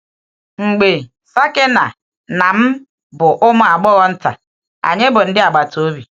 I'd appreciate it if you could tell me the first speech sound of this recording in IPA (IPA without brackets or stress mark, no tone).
ŋ͡m̩